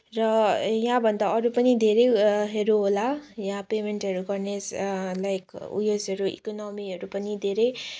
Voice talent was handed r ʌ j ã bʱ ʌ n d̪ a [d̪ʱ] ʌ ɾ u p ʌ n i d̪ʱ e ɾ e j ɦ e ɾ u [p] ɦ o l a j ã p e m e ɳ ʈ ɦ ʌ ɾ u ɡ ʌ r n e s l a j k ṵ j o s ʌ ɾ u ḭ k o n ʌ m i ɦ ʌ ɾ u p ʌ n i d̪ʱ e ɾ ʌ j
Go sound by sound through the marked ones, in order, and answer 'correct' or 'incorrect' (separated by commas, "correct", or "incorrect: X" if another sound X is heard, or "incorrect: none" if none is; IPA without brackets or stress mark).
incorrect: none, incorrect: none